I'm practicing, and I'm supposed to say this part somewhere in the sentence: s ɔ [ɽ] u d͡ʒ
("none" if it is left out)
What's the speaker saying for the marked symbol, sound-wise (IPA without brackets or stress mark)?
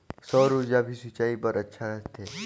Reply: ɾ